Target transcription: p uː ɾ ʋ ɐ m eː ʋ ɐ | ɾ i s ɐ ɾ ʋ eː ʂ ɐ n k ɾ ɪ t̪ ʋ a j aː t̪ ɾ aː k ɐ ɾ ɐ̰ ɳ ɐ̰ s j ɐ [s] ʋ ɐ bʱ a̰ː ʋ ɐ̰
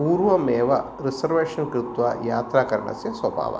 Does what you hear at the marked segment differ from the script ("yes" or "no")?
no